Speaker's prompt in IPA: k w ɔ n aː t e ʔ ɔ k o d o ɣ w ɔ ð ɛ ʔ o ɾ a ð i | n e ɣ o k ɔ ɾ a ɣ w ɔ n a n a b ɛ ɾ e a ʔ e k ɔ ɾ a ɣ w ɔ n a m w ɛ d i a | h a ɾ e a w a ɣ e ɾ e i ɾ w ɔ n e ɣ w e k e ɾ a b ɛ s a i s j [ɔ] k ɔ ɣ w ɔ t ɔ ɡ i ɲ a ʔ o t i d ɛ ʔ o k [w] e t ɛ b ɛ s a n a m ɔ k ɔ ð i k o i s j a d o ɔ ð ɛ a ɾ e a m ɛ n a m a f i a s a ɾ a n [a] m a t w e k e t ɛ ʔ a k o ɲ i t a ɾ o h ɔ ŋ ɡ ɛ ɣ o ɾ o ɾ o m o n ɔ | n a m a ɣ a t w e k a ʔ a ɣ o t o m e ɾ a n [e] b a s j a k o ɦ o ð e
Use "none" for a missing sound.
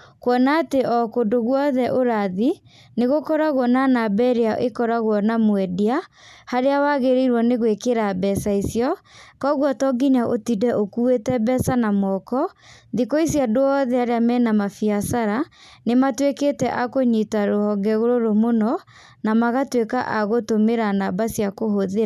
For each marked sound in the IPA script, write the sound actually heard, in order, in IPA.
ɔ, u, e, a

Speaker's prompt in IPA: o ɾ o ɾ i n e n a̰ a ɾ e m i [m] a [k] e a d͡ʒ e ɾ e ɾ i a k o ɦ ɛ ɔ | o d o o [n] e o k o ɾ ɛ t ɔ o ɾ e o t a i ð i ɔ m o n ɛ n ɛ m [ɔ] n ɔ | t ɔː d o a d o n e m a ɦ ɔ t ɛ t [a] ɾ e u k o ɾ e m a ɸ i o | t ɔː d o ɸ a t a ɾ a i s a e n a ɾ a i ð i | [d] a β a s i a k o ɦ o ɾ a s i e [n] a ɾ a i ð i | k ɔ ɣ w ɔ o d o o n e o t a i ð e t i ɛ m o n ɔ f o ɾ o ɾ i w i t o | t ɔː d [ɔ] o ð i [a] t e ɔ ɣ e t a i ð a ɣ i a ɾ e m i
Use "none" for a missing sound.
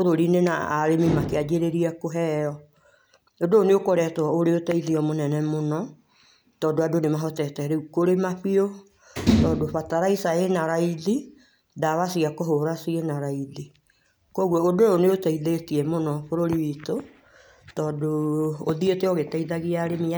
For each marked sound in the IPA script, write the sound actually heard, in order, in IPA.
m, k, n, o, ɛ, d, n, o, e

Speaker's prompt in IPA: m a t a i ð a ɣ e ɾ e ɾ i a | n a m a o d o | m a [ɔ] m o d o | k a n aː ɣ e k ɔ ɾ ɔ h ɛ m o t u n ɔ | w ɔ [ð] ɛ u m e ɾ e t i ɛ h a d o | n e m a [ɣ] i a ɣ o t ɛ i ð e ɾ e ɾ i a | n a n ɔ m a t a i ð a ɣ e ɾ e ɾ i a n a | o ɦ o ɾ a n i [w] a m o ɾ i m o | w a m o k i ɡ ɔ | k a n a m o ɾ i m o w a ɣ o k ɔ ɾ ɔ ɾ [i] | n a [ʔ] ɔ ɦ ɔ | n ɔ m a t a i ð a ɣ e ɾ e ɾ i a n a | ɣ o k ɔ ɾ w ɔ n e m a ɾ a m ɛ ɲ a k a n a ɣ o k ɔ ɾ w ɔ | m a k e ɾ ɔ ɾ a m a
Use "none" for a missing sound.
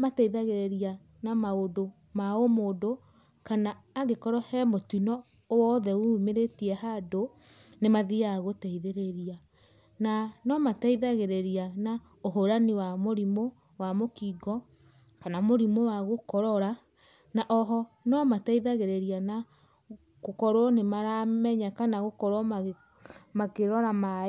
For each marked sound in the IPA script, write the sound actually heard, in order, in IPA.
o, ð, ð, w, a, ʔ

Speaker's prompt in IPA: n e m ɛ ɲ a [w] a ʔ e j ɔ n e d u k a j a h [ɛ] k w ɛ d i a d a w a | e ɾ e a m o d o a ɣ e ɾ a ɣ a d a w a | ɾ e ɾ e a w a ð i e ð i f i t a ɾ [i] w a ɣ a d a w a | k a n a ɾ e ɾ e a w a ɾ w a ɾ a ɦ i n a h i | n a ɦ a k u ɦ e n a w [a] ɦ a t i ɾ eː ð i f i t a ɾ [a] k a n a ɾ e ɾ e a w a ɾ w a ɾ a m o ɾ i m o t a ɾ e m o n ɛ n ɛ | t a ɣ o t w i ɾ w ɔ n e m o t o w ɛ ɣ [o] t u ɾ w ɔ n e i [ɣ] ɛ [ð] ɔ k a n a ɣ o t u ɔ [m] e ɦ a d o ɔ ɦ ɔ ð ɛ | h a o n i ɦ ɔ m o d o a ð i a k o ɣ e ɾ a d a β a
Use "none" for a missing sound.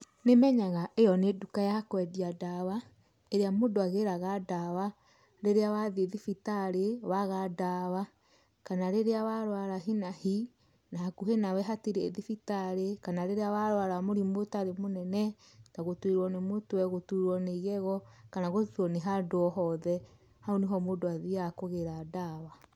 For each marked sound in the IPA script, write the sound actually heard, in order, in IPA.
ɣ, a, e, ɛ, e, o, ɣ, ɣ, n

